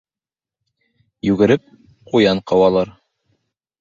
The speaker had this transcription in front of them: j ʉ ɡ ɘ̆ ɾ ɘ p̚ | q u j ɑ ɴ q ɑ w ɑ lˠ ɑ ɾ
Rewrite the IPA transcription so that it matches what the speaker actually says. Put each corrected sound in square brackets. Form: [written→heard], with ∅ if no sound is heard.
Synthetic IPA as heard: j ʉ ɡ ɘ̆ ɾ ɘ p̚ | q u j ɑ ɴ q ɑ w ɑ lˠ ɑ ɾ